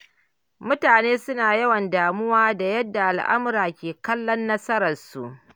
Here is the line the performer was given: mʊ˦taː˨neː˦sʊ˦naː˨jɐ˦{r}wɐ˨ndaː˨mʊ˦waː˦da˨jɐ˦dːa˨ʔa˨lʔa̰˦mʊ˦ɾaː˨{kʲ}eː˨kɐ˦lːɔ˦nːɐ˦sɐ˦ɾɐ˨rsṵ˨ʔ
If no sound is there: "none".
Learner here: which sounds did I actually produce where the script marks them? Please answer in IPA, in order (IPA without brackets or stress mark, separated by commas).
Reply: none, kʲ